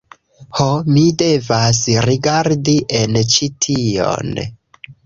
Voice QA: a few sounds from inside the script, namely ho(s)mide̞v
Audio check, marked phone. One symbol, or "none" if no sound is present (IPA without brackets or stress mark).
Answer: none